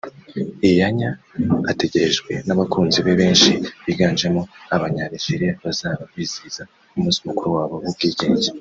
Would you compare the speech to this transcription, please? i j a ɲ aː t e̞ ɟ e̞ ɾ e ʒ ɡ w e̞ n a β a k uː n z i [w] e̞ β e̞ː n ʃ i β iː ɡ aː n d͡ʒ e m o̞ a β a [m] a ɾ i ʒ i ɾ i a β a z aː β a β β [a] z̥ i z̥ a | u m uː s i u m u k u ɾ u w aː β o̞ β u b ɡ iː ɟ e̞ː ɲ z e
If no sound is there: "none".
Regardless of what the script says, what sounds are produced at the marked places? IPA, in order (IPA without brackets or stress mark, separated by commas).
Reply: β, ɲ, i